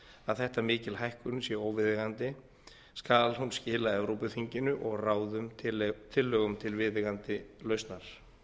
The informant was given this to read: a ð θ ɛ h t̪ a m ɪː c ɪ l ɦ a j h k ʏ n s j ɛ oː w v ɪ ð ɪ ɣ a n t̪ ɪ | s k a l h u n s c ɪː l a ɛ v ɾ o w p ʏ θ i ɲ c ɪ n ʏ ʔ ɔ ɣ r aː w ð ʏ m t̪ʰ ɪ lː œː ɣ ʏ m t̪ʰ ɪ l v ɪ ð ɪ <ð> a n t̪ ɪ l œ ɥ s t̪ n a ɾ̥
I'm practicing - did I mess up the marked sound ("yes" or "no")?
yes